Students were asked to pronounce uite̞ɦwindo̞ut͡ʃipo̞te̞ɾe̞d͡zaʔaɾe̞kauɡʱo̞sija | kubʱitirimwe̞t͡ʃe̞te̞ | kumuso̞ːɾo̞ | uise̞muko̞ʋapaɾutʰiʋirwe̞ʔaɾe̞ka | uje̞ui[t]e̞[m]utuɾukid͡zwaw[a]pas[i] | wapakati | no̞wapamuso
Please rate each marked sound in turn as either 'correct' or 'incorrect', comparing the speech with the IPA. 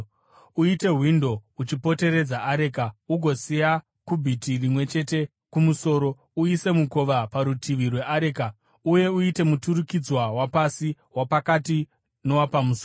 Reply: correct, correct, correct, correct

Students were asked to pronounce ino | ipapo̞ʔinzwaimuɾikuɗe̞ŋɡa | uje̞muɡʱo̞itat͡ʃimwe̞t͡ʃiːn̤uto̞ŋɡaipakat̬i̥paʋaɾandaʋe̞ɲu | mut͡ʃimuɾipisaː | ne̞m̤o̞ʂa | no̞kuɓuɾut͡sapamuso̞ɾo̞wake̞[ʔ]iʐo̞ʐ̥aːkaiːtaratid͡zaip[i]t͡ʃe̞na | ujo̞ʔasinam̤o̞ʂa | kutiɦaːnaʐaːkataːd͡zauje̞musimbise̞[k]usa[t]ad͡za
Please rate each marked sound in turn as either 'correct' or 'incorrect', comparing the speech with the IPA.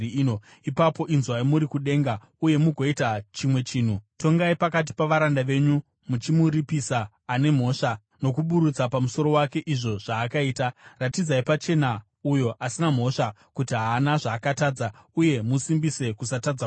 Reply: correct, incorrect: a, correct, correct

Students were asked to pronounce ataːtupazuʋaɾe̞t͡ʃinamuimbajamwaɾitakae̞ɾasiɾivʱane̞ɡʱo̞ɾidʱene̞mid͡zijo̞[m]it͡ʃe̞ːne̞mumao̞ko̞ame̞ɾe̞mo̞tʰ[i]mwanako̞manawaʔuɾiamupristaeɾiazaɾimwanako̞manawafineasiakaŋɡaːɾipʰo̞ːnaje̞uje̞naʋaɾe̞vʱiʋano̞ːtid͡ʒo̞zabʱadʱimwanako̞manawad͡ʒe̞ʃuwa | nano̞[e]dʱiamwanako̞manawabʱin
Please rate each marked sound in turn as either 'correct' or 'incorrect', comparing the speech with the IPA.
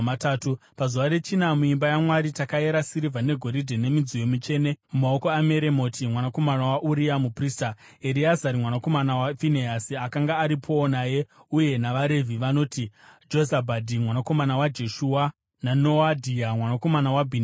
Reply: correct, correct, incorrect: a

